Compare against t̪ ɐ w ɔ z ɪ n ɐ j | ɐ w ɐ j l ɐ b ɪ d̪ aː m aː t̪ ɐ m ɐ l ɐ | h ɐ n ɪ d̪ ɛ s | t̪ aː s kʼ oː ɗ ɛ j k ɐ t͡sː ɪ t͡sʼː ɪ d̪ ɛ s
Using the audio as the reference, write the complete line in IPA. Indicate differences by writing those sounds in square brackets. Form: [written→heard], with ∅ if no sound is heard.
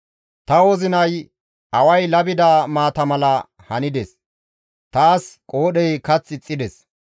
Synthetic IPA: t̪ ɐ w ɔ z ɪ n ɐ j | ɐ w ɐ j l ɐ b ɪ d̪ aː m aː t̪ ɐ m ɐ l ɐ | h ɐ n ɪ d̪ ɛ s | t̪ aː s kʼ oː ɗ ɛ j k ɐ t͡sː ɪ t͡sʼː ɪ d̪ ɛ s